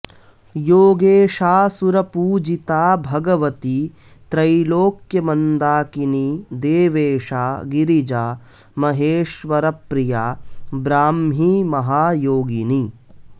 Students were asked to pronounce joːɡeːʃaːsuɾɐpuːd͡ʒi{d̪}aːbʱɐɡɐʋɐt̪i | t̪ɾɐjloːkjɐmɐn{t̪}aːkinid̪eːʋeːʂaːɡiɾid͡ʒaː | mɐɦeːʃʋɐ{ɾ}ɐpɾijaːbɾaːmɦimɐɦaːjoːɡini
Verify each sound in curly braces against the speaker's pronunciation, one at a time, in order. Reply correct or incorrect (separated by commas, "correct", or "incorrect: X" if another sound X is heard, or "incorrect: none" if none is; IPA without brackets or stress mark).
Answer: incorrect: t̪, incorrect: d̪, correct